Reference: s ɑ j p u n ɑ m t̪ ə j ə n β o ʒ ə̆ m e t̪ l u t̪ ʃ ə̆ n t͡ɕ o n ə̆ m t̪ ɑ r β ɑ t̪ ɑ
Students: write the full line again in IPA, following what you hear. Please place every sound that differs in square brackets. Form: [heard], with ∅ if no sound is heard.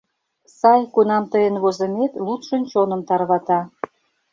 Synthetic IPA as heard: s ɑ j [k] u n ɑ m t̪ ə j ə n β o [z] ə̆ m e t̪ l u t̪ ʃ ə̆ n t͡ɕ o n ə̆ m t̪ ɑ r β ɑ t̪ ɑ

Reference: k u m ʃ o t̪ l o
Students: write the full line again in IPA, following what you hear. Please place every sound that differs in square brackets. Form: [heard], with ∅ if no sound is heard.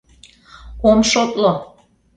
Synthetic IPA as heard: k [o] m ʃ o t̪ l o

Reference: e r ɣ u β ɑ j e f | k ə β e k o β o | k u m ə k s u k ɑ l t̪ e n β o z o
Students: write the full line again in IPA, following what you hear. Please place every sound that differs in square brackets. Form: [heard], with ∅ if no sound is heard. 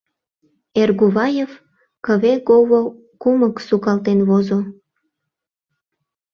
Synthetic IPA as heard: e r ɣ u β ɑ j e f | k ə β e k o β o | k u m ə k s u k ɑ l t̪ e n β o z o

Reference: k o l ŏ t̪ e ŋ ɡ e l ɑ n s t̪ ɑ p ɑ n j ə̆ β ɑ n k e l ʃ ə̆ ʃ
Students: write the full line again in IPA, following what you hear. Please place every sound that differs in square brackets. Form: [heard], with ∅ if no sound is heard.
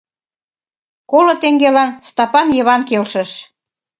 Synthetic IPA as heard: k o l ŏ t̪ e ŋ ɡ e l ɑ n s t̪ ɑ p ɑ n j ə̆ β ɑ n k e l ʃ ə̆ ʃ

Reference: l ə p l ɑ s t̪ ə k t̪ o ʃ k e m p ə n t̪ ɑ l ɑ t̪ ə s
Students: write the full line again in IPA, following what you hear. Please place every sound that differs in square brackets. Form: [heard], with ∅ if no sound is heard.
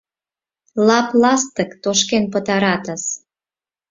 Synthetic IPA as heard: l [ɑ] p l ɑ s t̪ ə k t̪ o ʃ k e [n] p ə [∅] t̪ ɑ [ɾ] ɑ t̪ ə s

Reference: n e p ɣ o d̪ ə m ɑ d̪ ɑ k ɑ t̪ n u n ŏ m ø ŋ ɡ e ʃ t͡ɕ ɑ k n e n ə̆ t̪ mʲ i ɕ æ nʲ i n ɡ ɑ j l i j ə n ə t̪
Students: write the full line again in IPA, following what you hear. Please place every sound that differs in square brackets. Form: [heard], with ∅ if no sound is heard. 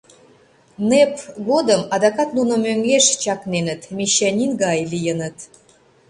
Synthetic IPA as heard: n e p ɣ o d̪ ə m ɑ d̪ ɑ k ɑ t̪ n u n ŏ m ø ŋ ɡ e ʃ t͡ɕ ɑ k n e n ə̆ t̪ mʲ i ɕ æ nʲ i n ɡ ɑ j l i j ə n ə t̪

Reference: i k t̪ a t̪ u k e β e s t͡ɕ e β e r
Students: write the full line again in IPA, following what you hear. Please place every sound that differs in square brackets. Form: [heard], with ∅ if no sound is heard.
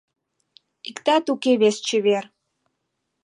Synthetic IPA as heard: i k t̪ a t̪ u k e β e s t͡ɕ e β e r

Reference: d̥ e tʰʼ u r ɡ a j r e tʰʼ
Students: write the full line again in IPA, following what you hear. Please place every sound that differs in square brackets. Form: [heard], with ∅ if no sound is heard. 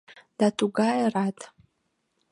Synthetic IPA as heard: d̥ [a] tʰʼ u [∅] ɡ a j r [a] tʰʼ

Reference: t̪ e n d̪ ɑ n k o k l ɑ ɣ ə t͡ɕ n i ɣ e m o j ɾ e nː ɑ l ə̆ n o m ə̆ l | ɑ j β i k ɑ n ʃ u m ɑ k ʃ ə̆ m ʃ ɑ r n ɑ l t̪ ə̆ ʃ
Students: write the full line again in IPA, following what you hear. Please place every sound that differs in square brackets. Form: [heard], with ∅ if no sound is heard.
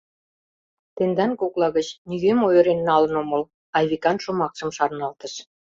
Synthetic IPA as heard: t̪ e n d̪ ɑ n k o k l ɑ ɣ ə t͡ɕ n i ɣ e m o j ɾ e nː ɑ l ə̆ n o m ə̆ l | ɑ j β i k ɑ n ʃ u m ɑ k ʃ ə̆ m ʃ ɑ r n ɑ l t̪ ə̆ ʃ

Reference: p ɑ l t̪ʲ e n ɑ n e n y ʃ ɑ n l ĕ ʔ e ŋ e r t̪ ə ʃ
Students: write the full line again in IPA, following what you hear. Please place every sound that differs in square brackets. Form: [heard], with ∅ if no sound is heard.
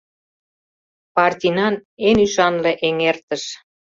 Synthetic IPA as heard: p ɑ [r] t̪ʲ [i] n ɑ n e n y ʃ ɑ n l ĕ ʔ e ŋ e r t̪ ə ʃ

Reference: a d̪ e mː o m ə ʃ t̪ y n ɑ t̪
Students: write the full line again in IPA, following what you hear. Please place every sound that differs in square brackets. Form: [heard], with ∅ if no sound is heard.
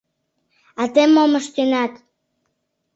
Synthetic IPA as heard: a [t̪] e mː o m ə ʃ t̪ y n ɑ t̪

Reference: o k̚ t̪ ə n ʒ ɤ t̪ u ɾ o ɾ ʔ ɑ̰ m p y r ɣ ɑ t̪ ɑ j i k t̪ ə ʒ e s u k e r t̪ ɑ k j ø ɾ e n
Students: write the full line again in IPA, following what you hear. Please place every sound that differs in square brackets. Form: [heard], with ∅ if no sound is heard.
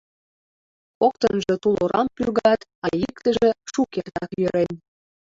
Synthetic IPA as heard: o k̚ t̪ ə n ʒ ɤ t̪ u [l] o ɾ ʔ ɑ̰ m p y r ɣ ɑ t̪ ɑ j i k t̪ ə ʒ e [ʃ] u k e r t̪ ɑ k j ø ɾ e n

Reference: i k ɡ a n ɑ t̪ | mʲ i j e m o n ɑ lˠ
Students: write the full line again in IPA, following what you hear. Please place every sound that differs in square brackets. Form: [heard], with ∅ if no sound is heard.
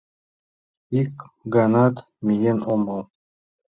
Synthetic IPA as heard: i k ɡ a n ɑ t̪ | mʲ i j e [n] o [m] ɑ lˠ

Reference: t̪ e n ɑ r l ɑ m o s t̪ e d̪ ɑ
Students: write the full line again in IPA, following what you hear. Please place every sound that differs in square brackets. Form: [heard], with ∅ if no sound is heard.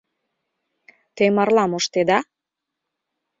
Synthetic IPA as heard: t̪ e [m] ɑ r l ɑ m o [ʃ] t̪ e d̪ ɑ

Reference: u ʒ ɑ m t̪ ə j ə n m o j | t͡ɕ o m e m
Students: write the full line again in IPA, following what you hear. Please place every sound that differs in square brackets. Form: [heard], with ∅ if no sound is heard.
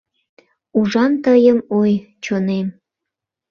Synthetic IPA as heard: u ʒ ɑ [n] t̪ ə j ə [∅] m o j | t͡ɕ o [n] e m

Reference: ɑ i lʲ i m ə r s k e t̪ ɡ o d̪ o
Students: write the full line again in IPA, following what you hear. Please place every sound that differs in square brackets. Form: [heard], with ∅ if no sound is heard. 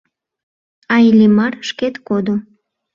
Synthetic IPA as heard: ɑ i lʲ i m [ɑ] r [ʃ] k e t̪ [k] o d̪ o

